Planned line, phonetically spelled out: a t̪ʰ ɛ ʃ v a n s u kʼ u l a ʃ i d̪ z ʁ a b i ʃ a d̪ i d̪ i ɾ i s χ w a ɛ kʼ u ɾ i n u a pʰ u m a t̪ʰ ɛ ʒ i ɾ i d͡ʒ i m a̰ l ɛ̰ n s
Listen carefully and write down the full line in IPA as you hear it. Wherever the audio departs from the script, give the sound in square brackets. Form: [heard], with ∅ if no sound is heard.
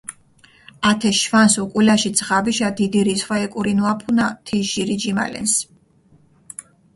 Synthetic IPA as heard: a t̪ʰ ɛ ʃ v a n s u kʼ u l a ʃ i d̪ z ʁ a b i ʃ a d̪ i d̪ i ɾ i s χ w a ɛ kʼ u ɾ i n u a pʰ u [n] a t̪ʰ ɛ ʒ i ɾ i d͡ʒ i m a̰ l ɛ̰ n s